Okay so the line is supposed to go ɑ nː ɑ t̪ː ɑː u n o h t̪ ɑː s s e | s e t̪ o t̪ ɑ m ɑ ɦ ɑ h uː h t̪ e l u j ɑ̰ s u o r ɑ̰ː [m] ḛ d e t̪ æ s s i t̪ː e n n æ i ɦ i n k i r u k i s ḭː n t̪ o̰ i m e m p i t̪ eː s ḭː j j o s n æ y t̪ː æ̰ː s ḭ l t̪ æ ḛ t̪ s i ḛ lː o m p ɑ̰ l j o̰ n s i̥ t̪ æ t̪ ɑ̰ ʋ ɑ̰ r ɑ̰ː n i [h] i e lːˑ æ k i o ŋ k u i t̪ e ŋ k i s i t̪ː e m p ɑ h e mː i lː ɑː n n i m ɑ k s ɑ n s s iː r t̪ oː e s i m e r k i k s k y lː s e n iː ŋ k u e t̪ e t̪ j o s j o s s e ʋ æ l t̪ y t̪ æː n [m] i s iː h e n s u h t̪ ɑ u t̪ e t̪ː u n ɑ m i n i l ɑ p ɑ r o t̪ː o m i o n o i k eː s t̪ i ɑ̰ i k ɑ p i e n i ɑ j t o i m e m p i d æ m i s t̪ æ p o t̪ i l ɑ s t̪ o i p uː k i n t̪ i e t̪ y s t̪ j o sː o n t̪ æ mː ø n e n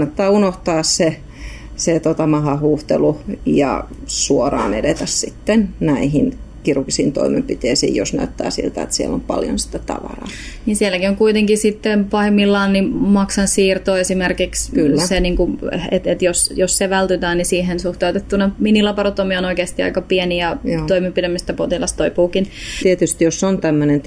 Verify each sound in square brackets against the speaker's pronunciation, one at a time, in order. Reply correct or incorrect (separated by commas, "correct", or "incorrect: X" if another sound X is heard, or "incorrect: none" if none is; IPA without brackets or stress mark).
incorrect: n, incorrect: s, incorrect: n